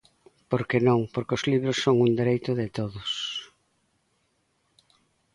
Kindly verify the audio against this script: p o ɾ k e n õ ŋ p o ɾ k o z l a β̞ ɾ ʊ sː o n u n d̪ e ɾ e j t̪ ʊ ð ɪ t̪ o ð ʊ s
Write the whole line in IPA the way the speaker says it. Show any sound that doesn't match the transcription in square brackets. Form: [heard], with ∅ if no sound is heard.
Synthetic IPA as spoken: p o ɾ k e n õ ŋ p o ɾ k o z l [i] β̞ ɾ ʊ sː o [ŋ] u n d̪ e ɾ e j t̪ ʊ ð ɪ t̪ o ð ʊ s